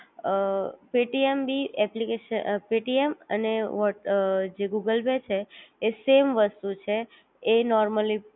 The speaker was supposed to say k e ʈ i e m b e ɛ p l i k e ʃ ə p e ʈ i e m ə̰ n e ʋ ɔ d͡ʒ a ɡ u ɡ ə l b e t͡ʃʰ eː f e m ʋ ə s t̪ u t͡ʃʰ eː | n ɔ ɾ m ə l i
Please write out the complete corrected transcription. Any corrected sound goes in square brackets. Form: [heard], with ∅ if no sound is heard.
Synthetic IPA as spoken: [p] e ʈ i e m b [i] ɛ p l i k e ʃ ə p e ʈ i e m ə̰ n e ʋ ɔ d͡ʒ [e] ɡ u ɡ ə l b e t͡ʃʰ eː [s] e m ʋ ə s t̪ u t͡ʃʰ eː | n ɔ ɾ m ə l i